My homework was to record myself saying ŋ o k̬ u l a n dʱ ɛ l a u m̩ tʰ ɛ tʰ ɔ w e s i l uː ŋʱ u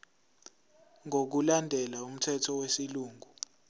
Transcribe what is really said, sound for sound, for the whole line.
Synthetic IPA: ŋ o k̬ u l a n dʱ ɛ l a u m̩ tʰ ɛ tʰ ɔ w e s i l uː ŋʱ u